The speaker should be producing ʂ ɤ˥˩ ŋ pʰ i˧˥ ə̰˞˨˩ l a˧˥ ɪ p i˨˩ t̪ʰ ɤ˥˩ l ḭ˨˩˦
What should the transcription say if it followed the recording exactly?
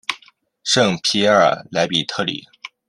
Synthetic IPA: ʂ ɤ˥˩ ŋ pʰ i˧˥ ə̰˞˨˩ l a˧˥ ɪ p i˨˩ t̪ʰ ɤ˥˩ l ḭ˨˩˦

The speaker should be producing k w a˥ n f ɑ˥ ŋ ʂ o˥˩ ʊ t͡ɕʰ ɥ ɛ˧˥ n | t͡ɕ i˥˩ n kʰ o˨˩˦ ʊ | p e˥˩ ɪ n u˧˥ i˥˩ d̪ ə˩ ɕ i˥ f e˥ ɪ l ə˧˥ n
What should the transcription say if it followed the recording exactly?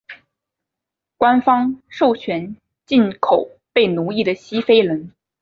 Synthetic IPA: k w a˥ n f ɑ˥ ŋ ʂ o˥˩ ʊ t͡ɕʰ ɥ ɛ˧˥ n | t͡ɕ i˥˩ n kʰ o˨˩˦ ʊ | p e˥˩ ɪ n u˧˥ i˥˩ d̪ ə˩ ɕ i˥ f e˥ ɪ l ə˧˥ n

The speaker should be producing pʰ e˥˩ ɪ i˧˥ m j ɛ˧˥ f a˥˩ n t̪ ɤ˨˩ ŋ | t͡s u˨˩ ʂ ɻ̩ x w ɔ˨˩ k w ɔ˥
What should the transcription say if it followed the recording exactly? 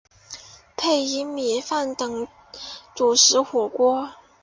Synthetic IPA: pʰ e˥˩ ɪ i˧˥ m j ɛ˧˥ f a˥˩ n t̪ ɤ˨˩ ŋ | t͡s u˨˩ ʂ ɻ̩ x w ɔ˨˩ k w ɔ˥

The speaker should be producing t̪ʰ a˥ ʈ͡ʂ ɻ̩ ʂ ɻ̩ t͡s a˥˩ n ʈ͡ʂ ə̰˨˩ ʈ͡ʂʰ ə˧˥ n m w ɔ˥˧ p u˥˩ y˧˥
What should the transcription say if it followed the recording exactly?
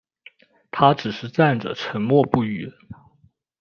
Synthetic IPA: t̪ʰ a˥ ʈ͡ʂ ɻ̩ ʂ ɻ̩ t͡s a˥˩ n ʈ͡ʂ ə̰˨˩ ʈ͡ʂʰ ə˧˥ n m w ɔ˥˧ p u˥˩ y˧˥

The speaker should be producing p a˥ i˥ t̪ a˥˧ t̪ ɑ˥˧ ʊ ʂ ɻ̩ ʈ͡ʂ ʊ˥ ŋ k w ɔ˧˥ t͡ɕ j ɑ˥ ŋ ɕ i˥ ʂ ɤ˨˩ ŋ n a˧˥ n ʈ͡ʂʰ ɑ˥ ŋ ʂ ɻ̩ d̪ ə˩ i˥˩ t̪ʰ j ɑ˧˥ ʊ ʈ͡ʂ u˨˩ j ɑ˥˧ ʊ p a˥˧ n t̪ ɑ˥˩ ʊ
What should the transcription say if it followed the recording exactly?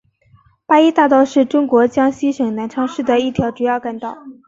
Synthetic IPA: p a˥ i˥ t̪ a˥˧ t̪ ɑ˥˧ ʊ ʂ ɻ̩ ʈ͡ʂ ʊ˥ ŋ k w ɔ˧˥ t͡ɕ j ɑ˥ ŋ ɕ i˥ ʂ ɤ˨˩ ŋ n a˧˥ n ʈ͡ʂʰ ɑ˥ ŋ ʂ ɻ̩ d̪ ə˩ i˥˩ t̪ʰ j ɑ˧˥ ʊ ʈ͡ʂ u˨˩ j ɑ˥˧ ʊ k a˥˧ n t̪ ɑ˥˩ ʊ

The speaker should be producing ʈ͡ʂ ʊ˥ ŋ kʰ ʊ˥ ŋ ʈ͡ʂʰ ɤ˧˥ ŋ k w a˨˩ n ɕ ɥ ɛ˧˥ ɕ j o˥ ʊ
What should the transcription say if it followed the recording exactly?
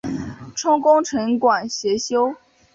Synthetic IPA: ʈ͡ʂʰ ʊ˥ ŋ k ʊ˥ ŋ ʈ͡ʂʰ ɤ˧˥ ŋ k w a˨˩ n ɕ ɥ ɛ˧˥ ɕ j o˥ ʊ

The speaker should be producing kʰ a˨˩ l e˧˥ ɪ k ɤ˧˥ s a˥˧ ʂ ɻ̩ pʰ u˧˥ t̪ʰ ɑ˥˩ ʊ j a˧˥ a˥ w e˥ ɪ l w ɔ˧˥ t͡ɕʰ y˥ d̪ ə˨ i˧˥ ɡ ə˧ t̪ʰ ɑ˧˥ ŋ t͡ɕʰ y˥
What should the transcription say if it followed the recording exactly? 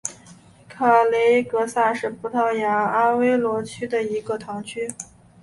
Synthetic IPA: kʰ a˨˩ l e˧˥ ɪ k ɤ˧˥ s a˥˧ ʂ ɻ̩ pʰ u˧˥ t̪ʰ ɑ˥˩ ʊ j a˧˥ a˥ w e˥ ɪ l w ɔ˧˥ t͡ɕʰ y˥ d̪ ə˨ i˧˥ ɡ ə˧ t̪ʰ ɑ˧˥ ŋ t͡ɕʰ y˥

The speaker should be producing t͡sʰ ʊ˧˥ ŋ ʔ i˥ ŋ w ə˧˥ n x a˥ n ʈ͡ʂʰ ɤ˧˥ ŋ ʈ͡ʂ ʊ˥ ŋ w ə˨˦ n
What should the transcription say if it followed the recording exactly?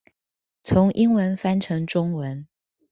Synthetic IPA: t͡sʰ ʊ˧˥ ŋ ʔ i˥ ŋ w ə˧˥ n f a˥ n ʈ͡ʂʰ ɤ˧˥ ŋ ʈ͡ʂ ʊ˥ ŋ w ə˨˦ n

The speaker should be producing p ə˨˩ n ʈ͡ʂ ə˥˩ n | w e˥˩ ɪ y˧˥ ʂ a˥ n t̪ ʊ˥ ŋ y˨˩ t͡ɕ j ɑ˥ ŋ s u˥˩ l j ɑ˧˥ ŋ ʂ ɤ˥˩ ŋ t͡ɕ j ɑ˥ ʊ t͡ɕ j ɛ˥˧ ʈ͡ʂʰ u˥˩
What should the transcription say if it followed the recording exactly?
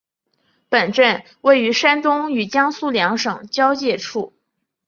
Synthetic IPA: p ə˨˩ n ʈ͡ʂ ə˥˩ n | w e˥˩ ɪ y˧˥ ʂ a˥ n t̪ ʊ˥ ŋ y˨˩ t͡ɕ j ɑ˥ ŋ s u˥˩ l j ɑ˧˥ ŋ ʂ ɤ˨˩ ŋ t͡ɕ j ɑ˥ ʊ t͡ɕ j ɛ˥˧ ʈ͡ʂʰ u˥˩

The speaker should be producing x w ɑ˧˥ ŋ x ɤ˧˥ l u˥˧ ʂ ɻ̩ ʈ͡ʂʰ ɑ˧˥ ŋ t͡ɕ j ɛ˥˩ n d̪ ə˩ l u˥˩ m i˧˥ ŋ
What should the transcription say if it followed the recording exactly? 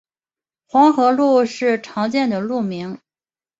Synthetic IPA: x w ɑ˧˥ ŋ x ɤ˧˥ l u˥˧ ʂ ɻ̩ ʈ͡ʂʰ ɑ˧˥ ŋ t͡ɕ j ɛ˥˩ n d̪ ə˩ l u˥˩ m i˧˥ ŋ

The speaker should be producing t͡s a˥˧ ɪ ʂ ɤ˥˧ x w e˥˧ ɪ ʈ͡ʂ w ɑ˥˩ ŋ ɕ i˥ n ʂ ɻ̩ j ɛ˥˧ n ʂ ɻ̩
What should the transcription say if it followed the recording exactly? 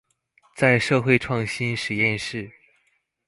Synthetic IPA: t͡s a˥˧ ɪ ʂ ɤ˥˧ x w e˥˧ ɪ ʈ͡ʂʰ w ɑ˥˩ ŋ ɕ i˥ n ʂ ɻ̩ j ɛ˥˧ n ʂ ɻ̩

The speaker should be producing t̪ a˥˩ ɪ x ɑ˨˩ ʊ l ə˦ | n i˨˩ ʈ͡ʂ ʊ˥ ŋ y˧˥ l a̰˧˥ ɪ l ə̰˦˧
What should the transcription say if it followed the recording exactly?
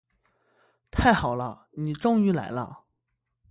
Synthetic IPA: t̪ʰ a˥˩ ɪ x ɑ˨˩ ʊ l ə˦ | n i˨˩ ʈ͡ʂ ʊ˥ ŋ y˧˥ l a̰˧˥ ɪ l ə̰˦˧

